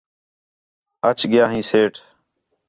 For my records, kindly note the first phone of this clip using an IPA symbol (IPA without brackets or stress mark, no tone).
ə